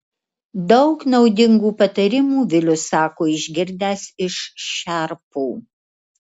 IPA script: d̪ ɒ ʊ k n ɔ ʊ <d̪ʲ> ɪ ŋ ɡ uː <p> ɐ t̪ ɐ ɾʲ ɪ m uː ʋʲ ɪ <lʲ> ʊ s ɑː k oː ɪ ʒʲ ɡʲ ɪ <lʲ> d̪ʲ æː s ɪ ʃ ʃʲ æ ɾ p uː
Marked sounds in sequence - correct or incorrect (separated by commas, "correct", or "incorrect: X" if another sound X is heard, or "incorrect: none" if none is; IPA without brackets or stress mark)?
correct, correct, correct, incorrect: ɾʲ